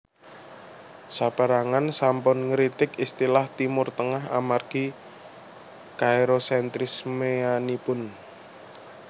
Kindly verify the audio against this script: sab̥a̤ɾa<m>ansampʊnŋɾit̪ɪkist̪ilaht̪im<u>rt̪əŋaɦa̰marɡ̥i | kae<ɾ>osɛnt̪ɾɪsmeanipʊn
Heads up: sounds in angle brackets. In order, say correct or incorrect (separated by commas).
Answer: incorrect, incorrect, correct